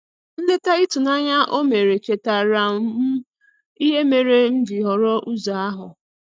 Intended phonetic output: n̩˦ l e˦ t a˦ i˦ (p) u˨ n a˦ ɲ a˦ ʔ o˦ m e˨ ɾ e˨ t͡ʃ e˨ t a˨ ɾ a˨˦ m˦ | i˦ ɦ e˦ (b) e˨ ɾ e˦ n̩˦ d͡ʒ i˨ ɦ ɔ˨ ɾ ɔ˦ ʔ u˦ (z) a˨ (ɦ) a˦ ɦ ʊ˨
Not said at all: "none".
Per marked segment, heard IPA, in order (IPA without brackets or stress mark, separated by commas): t, m, z, none